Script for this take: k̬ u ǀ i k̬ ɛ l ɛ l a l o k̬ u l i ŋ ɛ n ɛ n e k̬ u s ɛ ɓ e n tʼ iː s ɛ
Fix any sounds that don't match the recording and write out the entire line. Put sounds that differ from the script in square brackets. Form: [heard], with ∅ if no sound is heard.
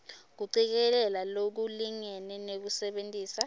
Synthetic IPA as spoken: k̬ u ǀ i k̬ ɛ l ɛ l a l o k̬ u l i ŋ ɛ n ɛ n e k̬ u s ɛ ɓ e n tʼ iː s [a]